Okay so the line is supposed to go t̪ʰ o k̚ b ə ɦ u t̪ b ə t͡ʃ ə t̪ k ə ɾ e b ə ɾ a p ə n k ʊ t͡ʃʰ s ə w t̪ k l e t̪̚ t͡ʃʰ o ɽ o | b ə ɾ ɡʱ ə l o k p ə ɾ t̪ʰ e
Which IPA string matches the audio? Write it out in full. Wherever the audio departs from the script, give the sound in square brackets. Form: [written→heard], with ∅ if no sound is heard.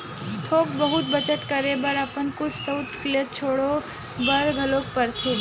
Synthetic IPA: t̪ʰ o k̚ b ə ɦ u t̪ b ə t͡ʃ ə t̪ k ə ɾ e b ə ɾ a p ə n k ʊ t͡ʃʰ s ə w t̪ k l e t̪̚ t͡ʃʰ o ɽ o | b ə ɾ ɡʱ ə l o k p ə ɾ t̪ʰ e